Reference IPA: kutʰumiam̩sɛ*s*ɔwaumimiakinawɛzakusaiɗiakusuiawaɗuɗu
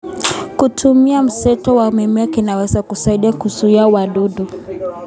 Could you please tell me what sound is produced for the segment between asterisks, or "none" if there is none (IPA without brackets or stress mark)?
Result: t